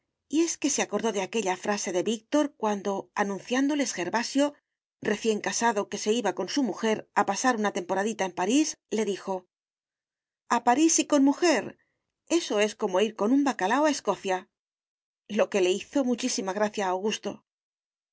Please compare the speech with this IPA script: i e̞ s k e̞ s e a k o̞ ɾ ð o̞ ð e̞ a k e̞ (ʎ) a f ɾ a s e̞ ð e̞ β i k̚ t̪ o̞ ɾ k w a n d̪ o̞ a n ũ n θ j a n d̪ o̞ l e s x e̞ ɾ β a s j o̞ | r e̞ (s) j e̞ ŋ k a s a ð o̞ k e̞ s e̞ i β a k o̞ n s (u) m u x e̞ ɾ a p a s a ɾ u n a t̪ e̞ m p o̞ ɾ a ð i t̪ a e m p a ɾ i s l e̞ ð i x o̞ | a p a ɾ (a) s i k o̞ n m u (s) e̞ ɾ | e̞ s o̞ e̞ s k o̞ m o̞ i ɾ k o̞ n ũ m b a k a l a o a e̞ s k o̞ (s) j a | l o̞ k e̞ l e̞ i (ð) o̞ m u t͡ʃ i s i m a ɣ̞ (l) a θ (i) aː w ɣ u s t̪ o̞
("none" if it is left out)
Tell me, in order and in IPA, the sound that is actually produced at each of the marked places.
ʎ, θ, u, i, x, θ, θ, ɾ, j

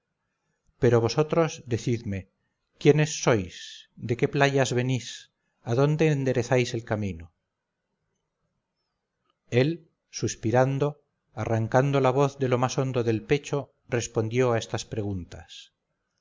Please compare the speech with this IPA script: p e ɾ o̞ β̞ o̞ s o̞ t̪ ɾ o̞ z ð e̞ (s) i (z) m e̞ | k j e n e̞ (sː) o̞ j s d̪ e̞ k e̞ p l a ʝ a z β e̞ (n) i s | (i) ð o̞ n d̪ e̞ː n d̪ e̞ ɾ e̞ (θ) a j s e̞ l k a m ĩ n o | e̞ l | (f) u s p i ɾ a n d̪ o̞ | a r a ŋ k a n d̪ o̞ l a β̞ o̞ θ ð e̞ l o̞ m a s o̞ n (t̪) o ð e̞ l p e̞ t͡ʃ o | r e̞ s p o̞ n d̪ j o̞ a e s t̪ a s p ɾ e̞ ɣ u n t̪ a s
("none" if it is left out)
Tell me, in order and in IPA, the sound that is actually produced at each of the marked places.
θ, ð, sː, n, a, θ, s, d̪

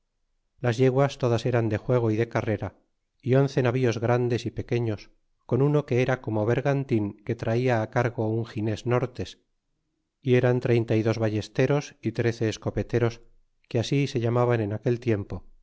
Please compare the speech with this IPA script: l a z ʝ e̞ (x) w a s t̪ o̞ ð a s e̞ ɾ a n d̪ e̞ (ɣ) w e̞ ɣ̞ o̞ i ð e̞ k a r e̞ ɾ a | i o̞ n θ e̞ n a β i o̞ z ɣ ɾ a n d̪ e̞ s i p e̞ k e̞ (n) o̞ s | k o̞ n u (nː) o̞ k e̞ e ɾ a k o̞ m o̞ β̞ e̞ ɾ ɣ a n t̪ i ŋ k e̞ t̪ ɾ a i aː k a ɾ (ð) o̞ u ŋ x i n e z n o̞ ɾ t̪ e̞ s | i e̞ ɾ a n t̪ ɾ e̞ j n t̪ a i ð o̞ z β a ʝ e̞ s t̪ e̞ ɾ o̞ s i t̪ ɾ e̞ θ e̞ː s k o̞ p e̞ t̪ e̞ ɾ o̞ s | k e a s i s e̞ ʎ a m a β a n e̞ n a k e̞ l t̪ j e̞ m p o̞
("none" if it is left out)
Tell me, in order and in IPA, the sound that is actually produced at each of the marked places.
ɣ, x, ɲ, n, ɣ

